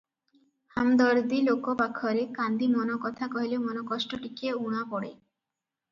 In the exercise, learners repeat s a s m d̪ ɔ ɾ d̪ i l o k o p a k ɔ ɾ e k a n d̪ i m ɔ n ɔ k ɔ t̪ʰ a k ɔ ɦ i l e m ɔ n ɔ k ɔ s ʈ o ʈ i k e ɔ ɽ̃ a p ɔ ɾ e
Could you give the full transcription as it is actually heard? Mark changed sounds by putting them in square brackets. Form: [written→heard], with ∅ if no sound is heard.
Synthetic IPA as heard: [s→h] a [s→∅] m d̪ ɔ ɾ d̪ i l o k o p a [k→kʰ] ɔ ɾ e k a n d̪ i m ɔ n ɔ k ɔ t̪ʰ a k ɔ ɦ i l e m ɔ n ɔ k ɔ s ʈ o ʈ i k e [ɔ→u] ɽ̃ a p ɔ [ɾ→ɽ] e